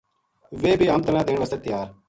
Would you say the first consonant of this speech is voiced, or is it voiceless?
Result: voiced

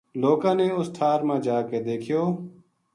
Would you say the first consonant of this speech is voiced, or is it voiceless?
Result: voiced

